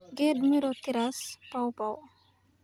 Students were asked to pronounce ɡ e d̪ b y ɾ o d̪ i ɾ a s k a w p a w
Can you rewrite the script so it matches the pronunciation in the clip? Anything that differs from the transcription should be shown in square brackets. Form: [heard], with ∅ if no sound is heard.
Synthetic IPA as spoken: ɡ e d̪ [m] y ɾ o [t̪] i ɾ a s [p] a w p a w